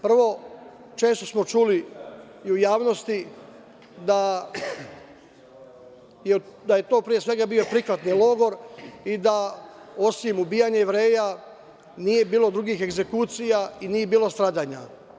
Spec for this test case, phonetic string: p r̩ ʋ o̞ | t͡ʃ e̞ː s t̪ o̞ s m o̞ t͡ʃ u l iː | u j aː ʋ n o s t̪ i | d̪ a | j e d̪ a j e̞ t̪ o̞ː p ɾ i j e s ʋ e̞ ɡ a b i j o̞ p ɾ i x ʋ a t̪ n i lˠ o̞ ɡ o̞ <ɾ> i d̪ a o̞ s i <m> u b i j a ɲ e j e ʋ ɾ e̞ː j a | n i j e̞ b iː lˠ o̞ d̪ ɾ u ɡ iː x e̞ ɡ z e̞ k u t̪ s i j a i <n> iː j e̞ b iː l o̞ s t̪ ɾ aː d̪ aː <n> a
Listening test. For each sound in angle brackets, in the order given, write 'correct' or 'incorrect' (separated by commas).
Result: correct, correct, correct, incorrect